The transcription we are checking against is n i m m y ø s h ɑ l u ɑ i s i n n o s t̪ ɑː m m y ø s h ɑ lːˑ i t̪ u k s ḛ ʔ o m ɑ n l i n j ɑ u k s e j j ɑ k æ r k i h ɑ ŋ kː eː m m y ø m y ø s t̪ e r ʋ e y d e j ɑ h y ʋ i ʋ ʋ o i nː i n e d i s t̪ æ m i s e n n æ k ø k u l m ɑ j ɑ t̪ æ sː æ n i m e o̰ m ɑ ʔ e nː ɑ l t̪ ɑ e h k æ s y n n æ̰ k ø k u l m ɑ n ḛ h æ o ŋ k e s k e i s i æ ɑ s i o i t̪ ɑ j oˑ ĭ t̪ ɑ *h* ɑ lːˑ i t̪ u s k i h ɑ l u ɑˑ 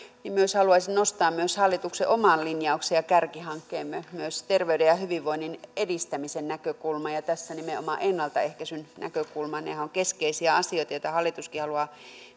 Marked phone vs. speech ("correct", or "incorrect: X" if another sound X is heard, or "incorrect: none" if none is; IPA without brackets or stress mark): correct